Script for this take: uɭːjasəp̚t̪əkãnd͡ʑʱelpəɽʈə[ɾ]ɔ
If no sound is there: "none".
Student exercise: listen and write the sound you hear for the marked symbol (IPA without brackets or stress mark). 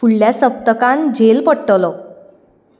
l